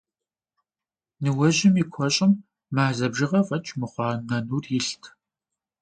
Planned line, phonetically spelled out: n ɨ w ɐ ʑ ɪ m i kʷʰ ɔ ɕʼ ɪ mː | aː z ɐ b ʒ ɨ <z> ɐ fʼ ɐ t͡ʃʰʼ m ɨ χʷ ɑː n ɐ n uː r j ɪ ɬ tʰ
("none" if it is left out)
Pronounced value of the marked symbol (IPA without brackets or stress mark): ʁ